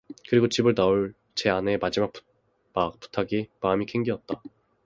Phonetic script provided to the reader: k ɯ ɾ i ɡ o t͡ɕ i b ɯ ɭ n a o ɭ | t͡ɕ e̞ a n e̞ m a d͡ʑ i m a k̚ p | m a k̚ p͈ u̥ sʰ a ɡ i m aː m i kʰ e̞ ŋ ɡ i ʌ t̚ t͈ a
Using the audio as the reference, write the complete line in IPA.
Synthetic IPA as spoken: k ɯ ɾ i ɡ o t͡ɕ i b ɯ ɭ n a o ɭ | t͡ɕ e̞ a n e̞ m a d͡ʑ i m a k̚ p | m a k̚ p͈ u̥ tʰ a ɡ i m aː m i kʰ e̞ ŋ ɡ i ʌ t̚ t͈ a

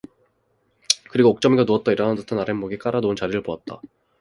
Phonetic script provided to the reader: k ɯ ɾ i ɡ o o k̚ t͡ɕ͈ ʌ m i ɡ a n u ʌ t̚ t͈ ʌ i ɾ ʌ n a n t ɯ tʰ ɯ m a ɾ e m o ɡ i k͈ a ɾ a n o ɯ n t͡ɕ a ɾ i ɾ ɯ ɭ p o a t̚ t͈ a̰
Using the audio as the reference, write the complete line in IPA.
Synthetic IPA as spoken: k ɯ ɾ i ɡ o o k̚ t͡ɕ͈ ʌ m i ɡ a n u ʌ t̚ t͈ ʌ i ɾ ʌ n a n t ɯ tʰ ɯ n a ɾ e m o ɡ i k͈ a ɾ a n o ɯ n t͡ɕ a ɾ i ɾ ɯ ɭ p o a t̚ t͈ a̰

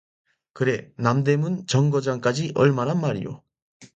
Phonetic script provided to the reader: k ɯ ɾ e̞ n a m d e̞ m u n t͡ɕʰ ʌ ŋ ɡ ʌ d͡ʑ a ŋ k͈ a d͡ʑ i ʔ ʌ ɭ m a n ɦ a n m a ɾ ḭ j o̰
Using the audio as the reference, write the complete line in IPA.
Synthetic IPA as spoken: k ɯ ɾ e̞ n a m d e̞ m u n t͡ɕ ʌ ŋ ɡ ʌ d͡ʑ a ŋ k͈ a d͡ʑ i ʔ ʌ ɭ m a n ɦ a n m a ɾ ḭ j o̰

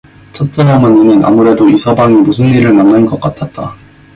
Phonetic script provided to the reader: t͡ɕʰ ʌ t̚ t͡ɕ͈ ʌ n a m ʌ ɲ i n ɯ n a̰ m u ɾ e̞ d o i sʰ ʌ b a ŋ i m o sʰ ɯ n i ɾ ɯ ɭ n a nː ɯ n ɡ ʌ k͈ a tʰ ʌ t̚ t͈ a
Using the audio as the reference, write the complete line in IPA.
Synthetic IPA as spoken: t͡ɕʰ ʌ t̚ t͡ɕ͈ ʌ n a m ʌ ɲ i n ɯ n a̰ m u ɾ e̞ d o i sʰ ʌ b a ŋ i m u sʰ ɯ n i ɾ ɯ ɭ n a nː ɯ n ɡ ʌ k͈ a tʰ a t̚ t͈ a

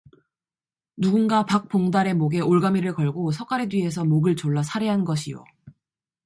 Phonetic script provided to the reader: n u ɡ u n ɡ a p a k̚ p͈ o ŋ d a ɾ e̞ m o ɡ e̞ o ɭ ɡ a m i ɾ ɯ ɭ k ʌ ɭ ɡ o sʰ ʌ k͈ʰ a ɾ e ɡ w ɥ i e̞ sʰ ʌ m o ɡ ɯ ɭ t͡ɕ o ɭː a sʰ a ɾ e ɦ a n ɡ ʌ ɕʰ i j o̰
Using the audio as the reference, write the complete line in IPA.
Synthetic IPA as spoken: n u ɡ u n ɡ a p a k̚ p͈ o ŋ d a ɾ e̞ m o ɡ e̞ o ɭ ɡ a m i ɾ ɯ ɭ k ʌ ɭ ɡ o sʰ ʌ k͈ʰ a ɾ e d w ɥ i e̞ sʰ ʌ m o ɡ ɯ ɭ t͡ɕ o ɭː a sʰ a ɾ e ɦ a n ɡ ʌ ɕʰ i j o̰

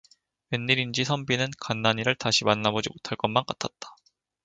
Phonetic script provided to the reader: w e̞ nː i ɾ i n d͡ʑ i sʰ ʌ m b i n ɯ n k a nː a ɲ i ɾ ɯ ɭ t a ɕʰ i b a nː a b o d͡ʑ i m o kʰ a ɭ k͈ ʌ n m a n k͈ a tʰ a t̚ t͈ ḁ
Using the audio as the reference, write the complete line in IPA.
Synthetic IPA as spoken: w e̞ nː i ɾ i n d͡ʑ i sʰ ʌ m b i n ɯ n k a nː a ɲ i ɾ ɯ ɭ t a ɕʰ i m a nː a b o d͡ʑ i m o tʰ a ɭ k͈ ʌ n m a n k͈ a tʰ a t̚ t͈ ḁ

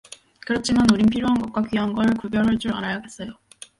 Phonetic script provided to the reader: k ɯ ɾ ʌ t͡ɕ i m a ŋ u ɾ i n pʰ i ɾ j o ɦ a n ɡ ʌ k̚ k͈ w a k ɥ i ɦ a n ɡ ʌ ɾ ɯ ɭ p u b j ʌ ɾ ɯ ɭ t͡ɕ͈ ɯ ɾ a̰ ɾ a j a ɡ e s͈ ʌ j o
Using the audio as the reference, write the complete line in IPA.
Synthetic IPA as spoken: k ɯ ɾ ʌ t͡ɕʰ i m a n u ɾ i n pʰ i ɾ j o ɦ a n ɡ ʌ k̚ k͈ w a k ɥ i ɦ a n ɡ ʌ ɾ ɯ ɭ k u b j ʌ ɾ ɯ ɭ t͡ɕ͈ u ɾ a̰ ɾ a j a ɡ e s͈ ʌ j o

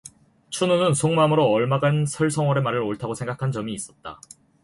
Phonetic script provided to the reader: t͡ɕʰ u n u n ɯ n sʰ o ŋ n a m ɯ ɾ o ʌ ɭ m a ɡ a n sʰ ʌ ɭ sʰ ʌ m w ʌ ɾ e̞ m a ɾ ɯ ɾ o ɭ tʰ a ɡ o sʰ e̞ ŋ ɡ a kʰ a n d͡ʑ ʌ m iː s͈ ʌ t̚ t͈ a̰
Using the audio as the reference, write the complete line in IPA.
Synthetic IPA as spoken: t͡ɕʰ u n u n ɯ n sʰ o ŋ m a m ɯ ɾ o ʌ ɭ m a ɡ a n sʰ ʌ ɭ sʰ ʌ ŋ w ʌ ɾ e̞ m a ɾ ɯ ɾ o ɭ tʰ a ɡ o sʰ e̞ ŋ ɡ a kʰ a n d͡ʑ ʌ m iː s͈ ʌ t̚ t͈ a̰

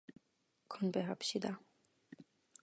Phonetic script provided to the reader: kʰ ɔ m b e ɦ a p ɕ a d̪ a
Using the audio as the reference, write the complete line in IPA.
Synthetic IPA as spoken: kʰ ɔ n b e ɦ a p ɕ i d̪ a

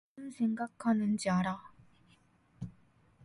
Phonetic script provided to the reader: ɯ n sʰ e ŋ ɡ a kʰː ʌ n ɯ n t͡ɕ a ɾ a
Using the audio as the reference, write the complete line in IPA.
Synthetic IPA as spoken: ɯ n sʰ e ŋ ɡ a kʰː a n ɯ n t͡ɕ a ɾ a

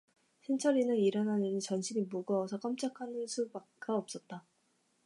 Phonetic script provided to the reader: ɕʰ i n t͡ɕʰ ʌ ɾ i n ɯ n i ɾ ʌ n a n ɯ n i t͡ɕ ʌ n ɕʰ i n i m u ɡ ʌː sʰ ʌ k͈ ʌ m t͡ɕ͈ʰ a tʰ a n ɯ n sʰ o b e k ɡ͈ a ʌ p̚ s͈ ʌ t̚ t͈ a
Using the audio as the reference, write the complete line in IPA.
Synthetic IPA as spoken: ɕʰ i n t͡ɕʰ ʌ ɾ i n ɯ n i ɾ ʌ n a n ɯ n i t͡ɕ ʌ n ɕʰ i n i m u ɡ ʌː sʰ ʌ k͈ ʌ m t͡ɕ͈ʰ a kʰ a n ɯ n sʰ u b a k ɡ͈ a ʌ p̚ s͈ ʌ t̚ t͈ a

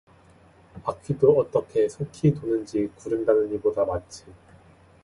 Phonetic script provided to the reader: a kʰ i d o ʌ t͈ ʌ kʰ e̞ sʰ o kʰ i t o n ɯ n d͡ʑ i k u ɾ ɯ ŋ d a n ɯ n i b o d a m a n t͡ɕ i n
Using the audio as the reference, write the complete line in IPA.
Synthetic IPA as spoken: a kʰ i d o ʌ t͈ ʌ kʰ e̞ sʰ o kʰ i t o n ɯ n d͡ʑ i k u ɾ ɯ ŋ d a n ɯ n i b o d a m a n t͡ɕʰ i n

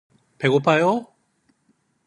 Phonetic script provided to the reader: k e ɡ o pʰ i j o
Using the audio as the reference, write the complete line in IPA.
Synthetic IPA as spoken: p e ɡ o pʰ a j o

